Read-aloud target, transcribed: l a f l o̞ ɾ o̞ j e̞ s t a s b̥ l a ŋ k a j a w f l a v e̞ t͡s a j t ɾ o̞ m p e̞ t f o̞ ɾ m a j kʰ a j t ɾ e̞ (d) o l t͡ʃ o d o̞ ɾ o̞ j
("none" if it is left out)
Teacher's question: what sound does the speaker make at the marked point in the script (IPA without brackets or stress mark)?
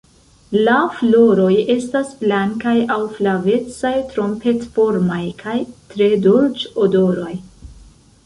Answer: d